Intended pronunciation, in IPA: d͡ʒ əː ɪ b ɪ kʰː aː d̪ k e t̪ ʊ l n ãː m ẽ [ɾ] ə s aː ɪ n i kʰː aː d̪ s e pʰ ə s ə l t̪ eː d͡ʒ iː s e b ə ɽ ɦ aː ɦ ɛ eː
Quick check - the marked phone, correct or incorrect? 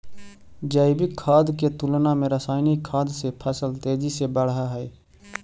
correct